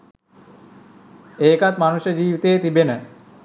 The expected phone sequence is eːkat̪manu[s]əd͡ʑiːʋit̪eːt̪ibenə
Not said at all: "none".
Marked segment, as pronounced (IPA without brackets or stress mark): ʃ